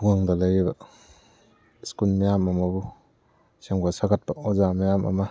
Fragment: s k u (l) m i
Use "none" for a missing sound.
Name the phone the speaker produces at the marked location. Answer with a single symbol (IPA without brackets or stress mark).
l